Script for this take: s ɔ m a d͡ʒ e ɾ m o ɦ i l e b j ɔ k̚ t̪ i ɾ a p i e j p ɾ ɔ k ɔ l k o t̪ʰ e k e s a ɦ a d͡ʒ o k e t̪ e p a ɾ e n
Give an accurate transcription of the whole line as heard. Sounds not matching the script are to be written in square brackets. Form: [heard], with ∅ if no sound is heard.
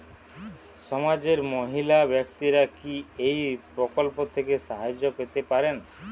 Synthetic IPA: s ɔ m a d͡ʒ e ɾ m o ɦ i l [a] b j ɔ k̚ t̪ i ɾ a [k] i e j p ɾ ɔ k ɔ l [p] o t̪ʰ e k e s a ɦ a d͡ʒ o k e t̪ e p a ɾ e n